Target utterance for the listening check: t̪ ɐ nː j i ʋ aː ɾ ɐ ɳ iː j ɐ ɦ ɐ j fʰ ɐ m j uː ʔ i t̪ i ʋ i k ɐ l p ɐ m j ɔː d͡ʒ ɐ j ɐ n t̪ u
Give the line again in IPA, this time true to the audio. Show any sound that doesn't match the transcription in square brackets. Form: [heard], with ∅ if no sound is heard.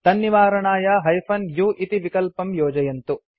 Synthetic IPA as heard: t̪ ɐ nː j i ʋ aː ɾ ɐ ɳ [aː] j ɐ ɦ ɐ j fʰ ɐ [n] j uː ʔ i t̪ i ʋ i k ɐ l p ɐ m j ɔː d͡ʒ ɐ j ɐ n t̪ u